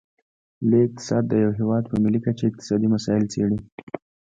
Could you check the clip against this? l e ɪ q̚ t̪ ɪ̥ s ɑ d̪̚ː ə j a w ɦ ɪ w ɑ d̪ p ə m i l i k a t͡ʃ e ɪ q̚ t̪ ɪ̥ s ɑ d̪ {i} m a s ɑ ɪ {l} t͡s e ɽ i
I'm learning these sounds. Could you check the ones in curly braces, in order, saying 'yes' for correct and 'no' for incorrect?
yes, yes

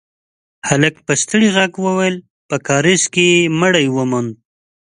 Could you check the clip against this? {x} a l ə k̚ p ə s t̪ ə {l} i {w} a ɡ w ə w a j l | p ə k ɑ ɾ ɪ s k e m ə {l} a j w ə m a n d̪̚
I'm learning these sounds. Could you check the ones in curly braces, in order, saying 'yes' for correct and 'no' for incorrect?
no, no, no, no

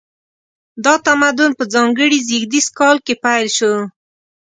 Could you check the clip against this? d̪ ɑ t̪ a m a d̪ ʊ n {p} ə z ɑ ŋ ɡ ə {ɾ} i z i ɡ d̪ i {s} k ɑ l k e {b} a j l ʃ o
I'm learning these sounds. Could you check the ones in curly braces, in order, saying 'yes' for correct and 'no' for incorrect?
yes, no, yes, no

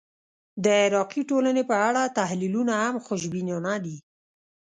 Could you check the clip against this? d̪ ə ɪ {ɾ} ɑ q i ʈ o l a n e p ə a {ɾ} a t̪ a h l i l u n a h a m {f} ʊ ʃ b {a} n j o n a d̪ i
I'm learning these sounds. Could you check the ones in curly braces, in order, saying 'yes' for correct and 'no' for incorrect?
yes, no, no, no

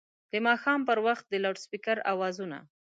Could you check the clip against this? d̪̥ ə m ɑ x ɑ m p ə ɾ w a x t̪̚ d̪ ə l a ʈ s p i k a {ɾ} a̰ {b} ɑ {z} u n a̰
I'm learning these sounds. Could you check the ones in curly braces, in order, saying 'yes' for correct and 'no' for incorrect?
yes, no, yes

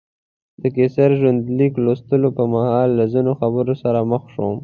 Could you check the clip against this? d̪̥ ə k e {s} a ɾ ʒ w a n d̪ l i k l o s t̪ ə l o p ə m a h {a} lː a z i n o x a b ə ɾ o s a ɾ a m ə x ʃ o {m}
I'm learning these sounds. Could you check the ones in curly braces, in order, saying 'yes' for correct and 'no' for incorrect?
yes, no, yes

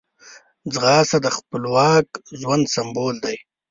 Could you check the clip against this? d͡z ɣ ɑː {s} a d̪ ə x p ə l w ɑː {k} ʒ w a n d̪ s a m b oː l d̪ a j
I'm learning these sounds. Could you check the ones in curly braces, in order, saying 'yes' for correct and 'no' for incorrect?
yes, yes

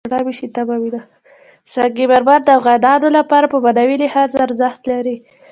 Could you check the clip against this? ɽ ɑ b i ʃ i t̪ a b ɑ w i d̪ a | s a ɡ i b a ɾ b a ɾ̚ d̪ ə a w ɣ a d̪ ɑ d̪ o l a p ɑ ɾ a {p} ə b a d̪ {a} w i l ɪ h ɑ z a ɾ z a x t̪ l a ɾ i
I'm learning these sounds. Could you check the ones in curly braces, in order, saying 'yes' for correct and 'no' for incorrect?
yes, yes

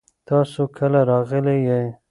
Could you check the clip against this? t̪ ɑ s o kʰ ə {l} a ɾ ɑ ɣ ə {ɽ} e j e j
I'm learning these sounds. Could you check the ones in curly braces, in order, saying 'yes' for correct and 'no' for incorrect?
yes, no

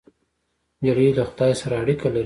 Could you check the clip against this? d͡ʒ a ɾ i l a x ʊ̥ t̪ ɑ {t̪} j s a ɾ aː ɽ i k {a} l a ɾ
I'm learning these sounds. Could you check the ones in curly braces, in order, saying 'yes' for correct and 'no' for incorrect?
no, yes

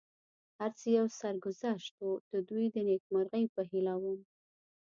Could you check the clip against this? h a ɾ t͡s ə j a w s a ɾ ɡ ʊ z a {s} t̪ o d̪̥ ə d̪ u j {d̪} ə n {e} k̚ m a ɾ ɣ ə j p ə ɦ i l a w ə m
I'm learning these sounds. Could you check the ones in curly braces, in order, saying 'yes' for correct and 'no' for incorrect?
no, yes, yes

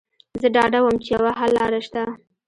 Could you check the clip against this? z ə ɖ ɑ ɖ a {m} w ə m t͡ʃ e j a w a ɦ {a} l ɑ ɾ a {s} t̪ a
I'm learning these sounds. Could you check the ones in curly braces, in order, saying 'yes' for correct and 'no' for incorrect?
no, yes, no

